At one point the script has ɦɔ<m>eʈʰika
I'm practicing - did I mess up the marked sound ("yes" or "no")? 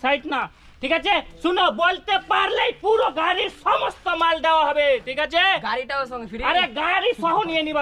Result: yes